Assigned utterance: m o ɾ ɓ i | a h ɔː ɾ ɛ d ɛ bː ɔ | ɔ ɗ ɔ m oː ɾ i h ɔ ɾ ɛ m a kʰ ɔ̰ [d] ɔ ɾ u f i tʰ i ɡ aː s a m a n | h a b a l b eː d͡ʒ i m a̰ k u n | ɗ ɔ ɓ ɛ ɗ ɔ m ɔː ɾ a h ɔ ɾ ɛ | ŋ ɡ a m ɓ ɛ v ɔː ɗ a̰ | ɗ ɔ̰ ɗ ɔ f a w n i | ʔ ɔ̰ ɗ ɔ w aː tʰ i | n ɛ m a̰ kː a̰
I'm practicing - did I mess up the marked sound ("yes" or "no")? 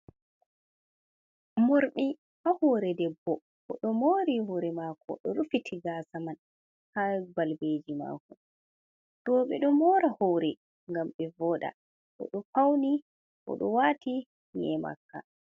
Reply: yes